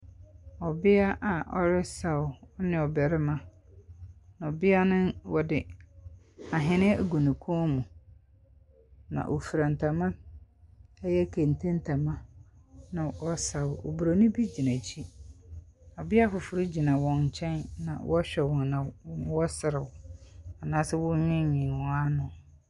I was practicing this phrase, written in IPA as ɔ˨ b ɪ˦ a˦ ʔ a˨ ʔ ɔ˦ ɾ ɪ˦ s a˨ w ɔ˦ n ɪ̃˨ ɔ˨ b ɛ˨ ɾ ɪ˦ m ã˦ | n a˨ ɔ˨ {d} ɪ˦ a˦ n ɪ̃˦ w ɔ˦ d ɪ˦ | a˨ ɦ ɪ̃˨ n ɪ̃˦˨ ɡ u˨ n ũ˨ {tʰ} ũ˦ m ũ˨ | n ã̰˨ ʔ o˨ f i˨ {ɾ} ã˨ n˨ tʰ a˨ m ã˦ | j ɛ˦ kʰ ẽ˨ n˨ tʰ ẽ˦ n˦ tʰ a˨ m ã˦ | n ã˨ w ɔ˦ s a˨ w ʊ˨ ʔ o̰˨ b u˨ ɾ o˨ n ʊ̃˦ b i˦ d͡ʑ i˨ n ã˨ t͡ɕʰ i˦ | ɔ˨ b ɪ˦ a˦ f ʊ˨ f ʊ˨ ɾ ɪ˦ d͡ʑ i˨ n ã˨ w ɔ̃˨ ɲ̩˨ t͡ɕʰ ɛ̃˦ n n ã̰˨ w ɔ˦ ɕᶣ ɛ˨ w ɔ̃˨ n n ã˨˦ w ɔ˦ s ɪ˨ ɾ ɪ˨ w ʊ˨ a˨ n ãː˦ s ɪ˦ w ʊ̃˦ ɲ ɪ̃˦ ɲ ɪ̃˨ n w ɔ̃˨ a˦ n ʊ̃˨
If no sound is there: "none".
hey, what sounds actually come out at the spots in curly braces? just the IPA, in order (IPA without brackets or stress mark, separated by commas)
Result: b, kʰ, ɾ